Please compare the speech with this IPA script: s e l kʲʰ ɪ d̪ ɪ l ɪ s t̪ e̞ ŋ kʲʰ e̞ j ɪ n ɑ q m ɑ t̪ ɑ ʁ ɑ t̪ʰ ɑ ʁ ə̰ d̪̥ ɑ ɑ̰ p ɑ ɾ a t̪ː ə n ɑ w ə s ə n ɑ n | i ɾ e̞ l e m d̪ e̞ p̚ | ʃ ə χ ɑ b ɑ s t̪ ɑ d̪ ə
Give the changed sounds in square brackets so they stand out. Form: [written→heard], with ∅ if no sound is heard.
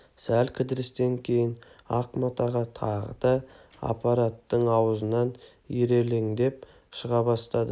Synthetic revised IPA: s [e→æ] l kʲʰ ɪ d̪ ɪ [l→ɾ] ɪ s t̪ e̞ ŋ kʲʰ e̞ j ɪ n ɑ q m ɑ t̪ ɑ ʁ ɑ t̪ʰ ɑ ʁ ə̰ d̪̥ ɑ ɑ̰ p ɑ ɾ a t̪ː ə [n→ɴ] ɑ w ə [s→z] ə n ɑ n | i ɾ e̞ l e [m→ŋ] d̪ e̞ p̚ | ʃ ə [χ→ʁ] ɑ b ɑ s t̪ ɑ d̪ ə